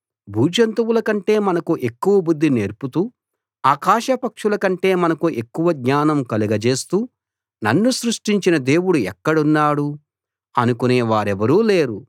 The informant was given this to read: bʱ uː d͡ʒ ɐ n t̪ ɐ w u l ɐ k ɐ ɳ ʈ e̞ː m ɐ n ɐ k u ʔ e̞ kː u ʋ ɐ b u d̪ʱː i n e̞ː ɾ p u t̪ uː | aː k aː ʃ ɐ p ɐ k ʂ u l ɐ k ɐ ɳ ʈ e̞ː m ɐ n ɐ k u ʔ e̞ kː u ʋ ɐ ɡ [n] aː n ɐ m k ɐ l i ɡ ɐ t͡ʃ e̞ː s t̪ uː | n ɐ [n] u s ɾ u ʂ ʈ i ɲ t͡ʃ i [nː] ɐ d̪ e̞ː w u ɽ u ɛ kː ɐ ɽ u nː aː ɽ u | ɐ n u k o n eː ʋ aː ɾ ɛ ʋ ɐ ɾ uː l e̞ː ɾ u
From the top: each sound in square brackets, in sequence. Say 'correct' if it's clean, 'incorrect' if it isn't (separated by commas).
incorrect, incorrect, incorrect